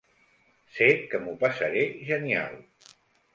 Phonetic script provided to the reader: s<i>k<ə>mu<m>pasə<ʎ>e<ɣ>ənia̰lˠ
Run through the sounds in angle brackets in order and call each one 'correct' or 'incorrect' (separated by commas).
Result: incorrect, correct, incorrect, incorrect, incorrect